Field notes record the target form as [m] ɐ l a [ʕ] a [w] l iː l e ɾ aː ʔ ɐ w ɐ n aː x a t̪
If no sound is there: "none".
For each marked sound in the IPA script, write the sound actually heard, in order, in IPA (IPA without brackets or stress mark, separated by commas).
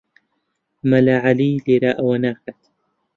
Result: m, ʕ, none